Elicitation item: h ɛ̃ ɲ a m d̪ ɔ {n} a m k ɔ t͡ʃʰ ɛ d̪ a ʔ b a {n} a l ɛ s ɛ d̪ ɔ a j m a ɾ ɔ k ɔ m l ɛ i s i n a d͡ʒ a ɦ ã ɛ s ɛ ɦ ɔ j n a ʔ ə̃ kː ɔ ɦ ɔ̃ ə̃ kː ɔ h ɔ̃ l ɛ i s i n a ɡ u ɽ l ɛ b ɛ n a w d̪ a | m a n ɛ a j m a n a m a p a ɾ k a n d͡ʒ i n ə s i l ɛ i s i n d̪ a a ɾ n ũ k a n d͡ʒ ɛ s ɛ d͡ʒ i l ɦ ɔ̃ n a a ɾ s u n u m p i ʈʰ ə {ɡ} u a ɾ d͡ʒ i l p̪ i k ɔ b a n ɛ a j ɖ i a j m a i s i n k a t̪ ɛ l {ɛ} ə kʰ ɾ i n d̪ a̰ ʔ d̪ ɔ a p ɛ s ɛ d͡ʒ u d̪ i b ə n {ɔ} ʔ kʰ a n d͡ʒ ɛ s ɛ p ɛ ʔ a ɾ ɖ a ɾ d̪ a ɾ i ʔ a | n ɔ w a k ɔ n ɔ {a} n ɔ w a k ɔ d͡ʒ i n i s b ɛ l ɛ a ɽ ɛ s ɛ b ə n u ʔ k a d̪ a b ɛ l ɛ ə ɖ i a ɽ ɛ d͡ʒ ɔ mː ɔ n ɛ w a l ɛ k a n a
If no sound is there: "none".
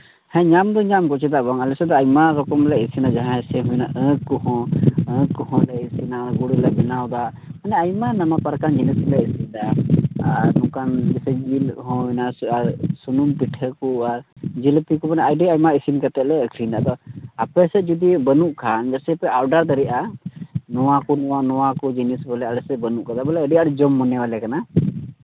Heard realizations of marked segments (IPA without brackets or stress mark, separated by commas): ɲ, ŋ, k, ɛ, u, a